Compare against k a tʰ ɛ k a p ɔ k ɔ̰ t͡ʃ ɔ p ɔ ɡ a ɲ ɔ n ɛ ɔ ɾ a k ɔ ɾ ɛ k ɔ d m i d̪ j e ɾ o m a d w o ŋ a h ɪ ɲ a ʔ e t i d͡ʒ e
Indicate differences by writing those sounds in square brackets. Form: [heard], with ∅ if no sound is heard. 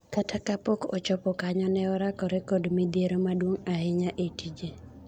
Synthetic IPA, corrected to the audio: k a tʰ [a] k a p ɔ k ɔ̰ t͡ʃ ɔ p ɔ [k] a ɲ ɔ n ɛ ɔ ɾ a k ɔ ɾ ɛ k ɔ d m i d̪ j e ɾ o m a d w o ŋ a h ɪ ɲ a ʔ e t i d͡ʒ e